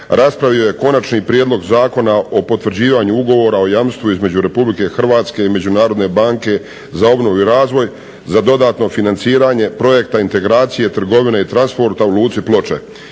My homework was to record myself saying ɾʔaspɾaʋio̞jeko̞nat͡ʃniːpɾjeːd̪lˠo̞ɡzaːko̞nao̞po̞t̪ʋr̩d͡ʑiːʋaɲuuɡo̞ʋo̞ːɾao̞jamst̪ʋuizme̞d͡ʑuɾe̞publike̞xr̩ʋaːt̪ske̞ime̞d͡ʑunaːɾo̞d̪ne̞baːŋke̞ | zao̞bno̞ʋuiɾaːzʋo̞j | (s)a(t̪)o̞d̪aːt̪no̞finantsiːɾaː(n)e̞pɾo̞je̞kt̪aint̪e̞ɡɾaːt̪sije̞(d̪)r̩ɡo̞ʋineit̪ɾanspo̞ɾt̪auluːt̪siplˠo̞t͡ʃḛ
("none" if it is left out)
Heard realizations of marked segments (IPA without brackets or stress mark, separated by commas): z, d̪, ɲ, t̪